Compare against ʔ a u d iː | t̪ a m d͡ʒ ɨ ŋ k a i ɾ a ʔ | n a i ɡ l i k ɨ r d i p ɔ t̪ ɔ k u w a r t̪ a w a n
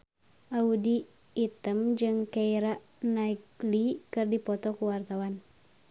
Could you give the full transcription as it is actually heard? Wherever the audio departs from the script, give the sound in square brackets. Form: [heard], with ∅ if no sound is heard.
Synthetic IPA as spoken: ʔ a u d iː | t̪ [ə] m d͡ʒ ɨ ŋ k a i ɾ a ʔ | n a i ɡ l i k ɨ r d i p ɔ t̪ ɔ k u w a r t̪ a w a n